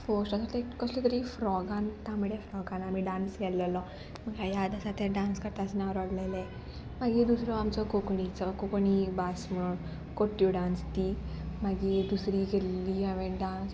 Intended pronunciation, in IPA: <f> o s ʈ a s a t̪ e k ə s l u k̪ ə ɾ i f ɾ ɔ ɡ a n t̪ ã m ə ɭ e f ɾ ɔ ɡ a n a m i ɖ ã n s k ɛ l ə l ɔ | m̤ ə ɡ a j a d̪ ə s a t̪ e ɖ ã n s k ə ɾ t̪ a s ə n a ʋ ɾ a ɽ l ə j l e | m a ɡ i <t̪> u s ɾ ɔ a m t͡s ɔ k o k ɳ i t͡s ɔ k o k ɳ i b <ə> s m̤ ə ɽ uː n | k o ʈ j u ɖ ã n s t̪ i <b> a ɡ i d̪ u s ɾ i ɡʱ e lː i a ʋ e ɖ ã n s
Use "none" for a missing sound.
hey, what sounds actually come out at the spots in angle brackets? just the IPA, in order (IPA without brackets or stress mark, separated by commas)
f, d̪, a, m